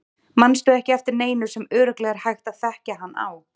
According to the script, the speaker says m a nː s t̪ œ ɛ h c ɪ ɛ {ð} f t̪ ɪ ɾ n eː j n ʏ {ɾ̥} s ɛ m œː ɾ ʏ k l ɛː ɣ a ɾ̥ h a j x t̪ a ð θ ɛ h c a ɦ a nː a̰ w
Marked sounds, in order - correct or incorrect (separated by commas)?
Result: incorrect, correct